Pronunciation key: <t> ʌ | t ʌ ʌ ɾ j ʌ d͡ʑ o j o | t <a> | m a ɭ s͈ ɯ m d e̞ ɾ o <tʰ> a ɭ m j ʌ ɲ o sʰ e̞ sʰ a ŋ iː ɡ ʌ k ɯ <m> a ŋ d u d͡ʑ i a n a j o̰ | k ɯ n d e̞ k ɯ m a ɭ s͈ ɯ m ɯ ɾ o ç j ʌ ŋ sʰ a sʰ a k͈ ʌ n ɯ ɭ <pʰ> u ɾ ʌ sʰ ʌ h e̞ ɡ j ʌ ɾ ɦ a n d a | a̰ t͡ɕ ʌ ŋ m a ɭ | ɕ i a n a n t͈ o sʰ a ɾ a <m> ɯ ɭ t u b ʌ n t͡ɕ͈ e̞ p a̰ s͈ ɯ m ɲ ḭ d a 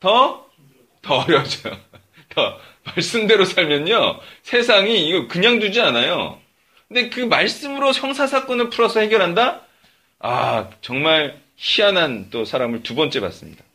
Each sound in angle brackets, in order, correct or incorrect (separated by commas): correct, incorrect, incorrect, incorrect, correct, correct